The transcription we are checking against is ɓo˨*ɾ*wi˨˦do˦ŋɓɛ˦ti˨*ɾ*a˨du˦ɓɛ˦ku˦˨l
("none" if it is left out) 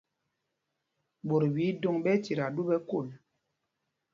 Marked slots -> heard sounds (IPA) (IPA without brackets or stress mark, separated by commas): ɾ, ɾ